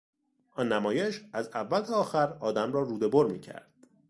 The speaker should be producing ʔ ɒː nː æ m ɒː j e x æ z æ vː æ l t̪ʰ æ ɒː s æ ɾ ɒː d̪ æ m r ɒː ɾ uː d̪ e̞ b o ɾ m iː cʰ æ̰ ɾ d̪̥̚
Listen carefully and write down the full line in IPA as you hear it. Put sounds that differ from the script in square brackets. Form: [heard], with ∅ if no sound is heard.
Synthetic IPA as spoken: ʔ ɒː nː æ m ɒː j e [ʃ] æ z æ vː æ l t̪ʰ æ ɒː [x] æ ɾ ɒː d̪ æ m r ɒː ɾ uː d̪ e̞ b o ɾ m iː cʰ æ̰ ɾ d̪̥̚